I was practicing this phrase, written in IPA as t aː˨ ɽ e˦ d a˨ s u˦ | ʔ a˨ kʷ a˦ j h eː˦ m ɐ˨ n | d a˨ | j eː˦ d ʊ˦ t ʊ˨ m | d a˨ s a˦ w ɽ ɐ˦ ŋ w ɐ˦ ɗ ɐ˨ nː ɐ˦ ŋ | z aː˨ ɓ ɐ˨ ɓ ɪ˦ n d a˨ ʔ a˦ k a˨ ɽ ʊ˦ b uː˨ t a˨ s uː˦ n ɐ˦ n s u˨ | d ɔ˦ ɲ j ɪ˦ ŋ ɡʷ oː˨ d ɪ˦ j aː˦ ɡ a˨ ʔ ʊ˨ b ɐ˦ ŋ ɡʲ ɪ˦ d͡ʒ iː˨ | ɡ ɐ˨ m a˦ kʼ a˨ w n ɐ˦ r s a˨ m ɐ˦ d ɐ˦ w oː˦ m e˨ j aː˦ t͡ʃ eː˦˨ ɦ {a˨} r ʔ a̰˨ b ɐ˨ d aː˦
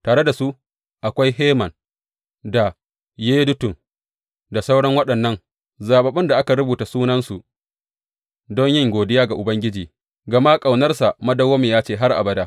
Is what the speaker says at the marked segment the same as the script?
no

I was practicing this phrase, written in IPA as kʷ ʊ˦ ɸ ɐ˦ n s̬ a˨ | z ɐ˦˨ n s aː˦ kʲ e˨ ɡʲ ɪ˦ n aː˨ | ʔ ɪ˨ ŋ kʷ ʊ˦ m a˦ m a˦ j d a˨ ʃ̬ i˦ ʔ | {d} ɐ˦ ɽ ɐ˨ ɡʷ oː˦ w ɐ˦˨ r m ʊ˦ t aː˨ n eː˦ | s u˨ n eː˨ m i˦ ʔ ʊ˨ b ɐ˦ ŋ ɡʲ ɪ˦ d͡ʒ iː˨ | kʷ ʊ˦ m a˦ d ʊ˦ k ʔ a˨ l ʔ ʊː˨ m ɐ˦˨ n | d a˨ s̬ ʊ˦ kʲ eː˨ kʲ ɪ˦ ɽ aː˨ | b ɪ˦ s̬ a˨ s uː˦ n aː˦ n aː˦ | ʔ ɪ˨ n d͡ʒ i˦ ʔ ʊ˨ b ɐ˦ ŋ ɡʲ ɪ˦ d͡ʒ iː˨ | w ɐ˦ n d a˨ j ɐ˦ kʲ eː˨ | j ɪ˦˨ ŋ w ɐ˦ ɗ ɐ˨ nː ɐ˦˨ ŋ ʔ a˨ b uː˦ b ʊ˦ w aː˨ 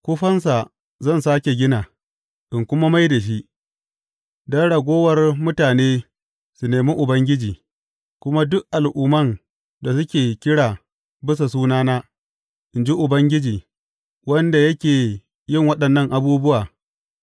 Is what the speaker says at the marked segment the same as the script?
yes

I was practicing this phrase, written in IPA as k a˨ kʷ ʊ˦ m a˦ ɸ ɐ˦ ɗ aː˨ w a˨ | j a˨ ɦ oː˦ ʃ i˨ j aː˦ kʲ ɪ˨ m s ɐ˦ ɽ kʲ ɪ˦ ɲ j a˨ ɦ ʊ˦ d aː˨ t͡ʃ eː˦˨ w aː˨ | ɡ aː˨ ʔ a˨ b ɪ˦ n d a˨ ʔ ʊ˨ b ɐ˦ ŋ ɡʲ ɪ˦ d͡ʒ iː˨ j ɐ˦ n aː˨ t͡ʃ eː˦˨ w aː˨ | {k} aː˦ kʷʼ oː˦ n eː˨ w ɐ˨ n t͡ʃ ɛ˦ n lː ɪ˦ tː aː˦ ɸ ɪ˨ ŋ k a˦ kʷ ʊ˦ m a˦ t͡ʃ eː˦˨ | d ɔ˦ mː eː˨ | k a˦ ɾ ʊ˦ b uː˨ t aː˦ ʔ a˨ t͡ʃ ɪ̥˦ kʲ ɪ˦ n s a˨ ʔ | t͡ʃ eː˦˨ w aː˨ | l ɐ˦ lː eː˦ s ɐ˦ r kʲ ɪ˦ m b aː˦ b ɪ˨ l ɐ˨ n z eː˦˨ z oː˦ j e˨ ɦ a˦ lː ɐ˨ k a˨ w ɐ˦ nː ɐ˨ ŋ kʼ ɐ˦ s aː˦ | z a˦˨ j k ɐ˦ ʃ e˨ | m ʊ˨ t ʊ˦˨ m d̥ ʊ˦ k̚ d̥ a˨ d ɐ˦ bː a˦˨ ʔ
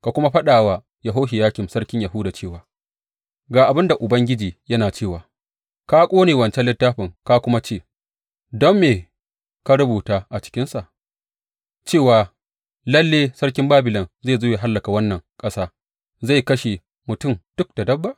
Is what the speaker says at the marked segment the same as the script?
yes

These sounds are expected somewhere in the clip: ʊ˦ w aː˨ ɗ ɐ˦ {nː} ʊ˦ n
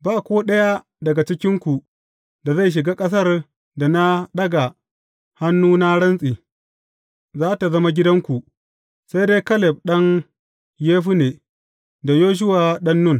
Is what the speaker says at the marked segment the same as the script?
yes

